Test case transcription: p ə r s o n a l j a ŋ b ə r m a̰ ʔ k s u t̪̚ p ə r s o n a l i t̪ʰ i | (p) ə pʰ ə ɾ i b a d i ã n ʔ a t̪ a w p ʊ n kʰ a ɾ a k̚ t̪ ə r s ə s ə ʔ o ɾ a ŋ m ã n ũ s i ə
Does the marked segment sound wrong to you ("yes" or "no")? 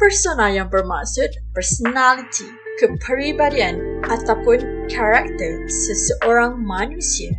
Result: yes